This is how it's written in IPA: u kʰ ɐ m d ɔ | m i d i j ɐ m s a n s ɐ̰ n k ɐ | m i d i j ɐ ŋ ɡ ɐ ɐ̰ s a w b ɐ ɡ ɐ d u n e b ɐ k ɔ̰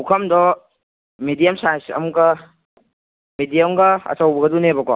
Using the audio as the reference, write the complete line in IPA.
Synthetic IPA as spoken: u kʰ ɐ m d ɔ | m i d i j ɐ m s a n s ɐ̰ m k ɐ | m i d i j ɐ m ɡ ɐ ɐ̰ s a w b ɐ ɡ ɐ d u n e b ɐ k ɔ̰